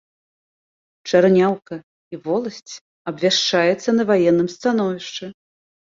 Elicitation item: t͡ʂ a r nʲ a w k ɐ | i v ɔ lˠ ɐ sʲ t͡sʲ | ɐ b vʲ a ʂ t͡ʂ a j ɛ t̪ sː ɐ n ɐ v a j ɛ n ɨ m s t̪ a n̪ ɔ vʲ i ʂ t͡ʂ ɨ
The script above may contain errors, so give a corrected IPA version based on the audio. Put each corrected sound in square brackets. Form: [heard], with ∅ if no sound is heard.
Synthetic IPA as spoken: t͡ʂ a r nʲ a w k ɐ | i v ɔ lˠ ɐ sʲ t͡sʲ | ɐ b vʲ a ʂ t͡ʂ a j ɛ t̪ sː ɐ n ɐ v a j ɛ [nː] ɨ m s t̪ a n̪ ɔ vʲ i ʂ t͡ʂ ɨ